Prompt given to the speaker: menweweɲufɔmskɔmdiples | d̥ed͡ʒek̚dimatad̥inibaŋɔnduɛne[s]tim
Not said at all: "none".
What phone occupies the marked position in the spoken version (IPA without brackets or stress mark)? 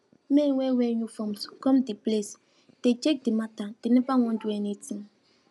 none